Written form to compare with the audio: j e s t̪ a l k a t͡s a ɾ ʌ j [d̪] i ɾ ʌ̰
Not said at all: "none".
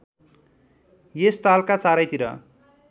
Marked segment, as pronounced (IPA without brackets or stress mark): t̪